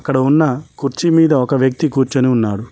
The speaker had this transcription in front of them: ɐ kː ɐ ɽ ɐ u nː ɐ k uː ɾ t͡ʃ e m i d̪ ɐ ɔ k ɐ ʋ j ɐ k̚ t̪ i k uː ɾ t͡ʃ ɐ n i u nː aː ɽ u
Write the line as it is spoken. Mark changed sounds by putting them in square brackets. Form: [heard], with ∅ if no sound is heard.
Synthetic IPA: ɐ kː ɐ ɽ ɐ u nː ɐ k [u] ɾ t͡ʃ [i] m [iː] d̪ ɐ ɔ k ɐ ʋ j ɐ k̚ t̪ i k uː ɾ t͡ʃ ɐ n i u nː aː ɽ u

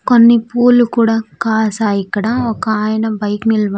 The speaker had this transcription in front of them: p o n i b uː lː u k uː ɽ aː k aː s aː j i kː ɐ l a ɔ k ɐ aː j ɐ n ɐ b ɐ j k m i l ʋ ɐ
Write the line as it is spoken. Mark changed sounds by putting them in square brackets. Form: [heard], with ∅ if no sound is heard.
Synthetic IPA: [k] o [nː] i [p] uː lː u k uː ɽ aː k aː s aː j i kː ɐ [ɽ] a ɔ k ɐ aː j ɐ n ɐ b ɐ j k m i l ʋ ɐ

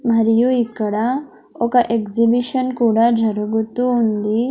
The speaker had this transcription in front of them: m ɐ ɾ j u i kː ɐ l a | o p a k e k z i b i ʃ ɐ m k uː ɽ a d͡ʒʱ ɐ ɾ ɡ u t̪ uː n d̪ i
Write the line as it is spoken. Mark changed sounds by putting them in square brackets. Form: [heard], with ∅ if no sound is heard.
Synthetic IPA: m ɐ ɾ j u i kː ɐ [ɽ] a | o [k] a [ʔ] e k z i b i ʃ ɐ [n] k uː ɽ a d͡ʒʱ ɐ ɾ ɡ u t̪ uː n d̪ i

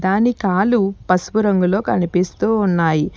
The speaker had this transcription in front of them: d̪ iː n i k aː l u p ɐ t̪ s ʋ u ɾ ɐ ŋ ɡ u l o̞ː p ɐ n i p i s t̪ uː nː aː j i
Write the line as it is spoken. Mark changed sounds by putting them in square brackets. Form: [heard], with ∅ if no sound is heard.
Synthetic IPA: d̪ [aː] n i k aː l u p ɐ [∅] s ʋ u ɾ ɐ ŋ ɡ u l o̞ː [k] ɐ n i p i s t̪ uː nː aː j i

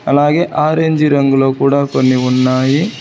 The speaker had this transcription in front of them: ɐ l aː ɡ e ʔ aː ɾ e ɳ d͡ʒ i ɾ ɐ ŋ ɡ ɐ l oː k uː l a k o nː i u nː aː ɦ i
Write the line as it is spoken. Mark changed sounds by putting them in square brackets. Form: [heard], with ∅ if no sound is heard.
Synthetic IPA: ɐ l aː ɡ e ʔ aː ɾ e [ɲ] d͡ʒ i ɾ ɐ ŋ ɡ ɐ l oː k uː [ɽ] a k o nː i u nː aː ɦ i

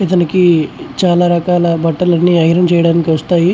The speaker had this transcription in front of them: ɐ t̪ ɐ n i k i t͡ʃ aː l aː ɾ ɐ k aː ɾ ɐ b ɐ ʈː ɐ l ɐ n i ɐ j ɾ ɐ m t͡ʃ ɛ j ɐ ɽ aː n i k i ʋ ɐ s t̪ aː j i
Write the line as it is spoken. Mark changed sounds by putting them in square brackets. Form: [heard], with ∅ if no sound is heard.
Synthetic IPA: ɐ t̪ ɐ n i k i t͡ʃ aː l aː ɾ ɐ k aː [l] ɐ b ɐ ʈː ɐ l ɐ [nː] i ɐ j ɾ ɐ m t͡ʃ ɛ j ɐ ɽ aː n i k i ʋ ɐ s t̪ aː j i

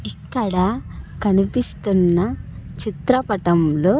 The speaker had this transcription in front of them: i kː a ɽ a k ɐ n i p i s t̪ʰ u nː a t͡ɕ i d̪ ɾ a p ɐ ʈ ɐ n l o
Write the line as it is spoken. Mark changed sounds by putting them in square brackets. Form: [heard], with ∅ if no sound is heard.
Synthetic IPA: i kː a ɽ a k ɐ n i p i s [t̪] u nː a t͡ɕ i [t̪] ɾ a p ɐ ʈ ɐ [m] l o

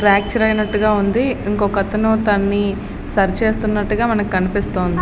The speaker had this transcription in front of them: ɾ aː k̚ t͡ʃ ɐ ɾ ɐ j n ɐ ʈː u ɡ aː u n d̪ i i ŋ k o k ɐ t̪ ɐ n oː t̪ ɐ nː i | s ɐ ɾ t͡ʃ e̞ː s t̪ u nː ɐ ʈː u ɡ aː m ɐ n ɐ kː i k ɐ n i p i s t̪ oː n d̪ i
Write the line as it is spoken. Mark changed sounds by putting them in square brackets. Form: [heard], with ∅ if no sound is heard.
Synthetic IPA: ɾ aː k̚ t͡ʃ ɐ ɾ ɐ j n ɐ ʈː u ɡ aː u n d̪ i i ŋ k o k ɐ t̪ ɐ n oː t̪ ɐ nː i | s ɐ ɾ t͡ʃ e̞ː s t̪ u nː ɐ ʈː u ɡ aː m ɐ n ɐ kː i k ɐ n i p i s t̪ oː n d̪ i

